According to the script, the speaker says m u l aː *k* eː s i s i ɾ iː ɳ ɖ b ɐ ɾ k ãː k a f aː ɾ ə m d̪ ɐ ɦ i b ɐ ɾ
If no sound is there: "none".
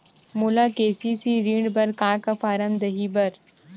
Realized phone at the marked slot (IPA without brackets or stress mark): k